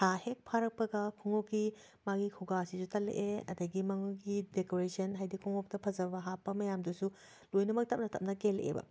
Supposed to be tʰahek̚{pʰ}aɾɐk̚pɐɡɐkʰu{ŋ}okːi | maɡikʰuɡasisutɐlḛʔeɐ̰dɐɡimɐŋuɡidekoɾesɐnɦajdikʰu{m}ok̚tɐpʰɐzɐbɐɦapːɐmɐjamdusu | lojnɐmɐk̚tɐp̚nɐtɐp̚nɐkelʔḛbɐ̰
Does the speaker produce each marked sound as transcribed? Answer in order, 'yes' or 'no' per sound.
yes, yes, no

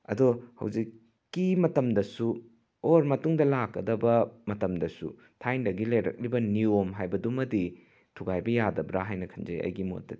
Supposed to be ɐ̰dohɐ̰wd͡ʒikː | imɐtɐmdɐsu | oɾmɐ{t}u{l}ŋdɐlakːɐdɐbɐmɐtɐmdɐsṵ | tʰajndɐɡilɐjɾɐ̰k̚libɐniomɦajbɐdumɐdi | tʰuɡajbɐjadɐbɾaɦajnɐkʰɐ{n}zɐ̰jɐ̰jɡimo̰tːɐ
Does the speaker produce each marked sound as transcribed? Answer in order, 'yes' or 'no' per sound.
yes, no, yes

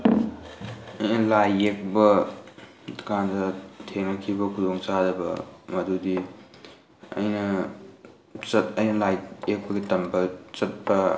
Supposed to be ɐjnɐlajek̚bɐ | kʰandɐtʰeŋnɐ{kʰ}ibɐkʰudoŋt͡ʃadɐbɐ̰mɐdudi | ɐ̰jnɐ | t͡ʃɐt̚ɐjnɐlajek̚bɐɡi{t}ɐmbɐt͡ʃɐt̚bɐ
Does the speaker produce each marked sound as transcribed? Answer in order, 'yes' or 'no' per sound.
yes, yes

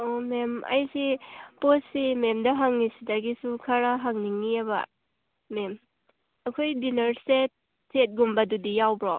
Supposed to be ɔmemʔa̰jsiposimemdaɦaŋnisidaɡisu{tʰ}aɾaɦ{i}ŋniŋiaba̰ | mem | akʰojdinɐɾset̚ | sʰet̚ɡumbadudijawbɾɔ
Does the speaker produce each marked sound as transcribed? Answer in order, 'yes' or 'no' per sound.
no, no

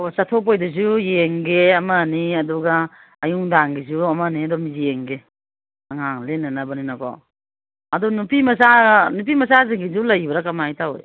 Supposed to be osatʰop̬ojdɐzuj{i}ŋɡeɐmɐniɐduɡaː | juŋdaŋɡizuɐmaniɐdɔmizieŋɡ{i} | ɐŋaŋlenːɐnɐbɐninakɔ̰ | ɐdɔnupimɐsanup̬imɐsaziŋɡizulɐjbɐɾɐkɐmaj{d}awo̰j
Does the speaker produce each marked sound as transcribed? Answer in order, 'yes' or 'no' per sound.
no, no, no

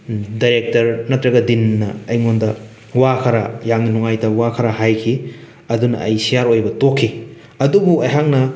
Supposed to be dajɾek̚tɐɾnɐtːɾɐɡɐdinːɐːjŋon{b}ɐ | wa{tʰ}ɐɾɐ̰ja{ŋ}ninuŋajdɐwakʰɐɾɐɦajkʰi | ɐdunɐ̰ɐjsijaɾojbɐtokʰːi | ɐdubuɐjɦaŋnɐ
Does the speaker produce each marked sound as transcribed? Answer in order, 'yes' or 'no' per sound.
no, no, yes

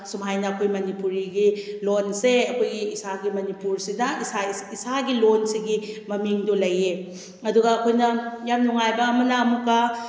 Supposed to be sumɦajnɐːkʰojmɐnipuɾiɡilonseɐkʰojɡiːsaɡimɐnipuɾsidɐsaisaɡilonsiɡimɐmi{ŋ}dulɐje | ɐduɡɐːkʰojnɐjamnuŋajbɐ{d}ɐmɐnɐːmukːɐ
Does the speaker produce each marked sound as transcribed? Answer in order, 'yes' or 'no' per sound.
yes, no

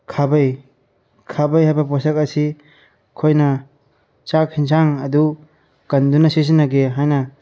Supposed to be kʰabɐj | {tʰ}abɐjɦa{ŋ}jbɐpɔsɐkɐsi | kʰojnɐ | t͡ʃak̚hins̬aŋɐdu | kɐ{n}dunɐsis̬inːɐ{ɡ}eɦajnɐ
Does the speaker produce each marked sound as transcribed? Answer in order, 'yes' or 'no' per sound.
no, no, yes, yes

